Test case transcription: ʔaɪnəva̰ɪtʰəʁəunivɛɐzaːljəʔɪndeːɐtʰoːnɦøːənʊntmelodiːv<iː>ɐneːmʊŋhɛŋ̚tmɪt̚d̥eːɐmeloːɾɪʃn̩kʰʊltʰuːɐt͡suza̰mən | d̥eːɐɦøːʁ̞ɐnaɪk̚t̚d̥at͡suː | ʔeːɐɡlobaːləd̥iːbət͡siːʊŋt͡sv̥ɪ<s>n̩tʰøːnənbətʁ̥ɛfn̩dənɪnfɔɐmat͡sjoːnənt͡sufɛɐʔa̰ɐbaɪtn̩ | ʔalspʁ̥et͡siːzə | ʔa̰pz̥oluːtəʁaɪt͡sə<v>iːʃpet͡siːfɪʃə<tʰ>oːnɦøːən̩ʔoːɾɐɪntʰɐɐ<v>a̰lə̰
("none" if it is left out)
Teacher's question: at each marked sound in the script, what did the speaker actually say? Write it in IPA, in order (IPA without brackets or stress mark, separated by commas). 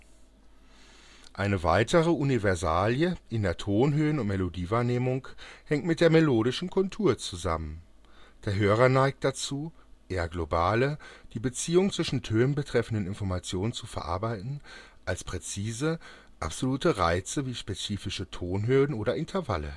aː, ʃ, v, tʰ, v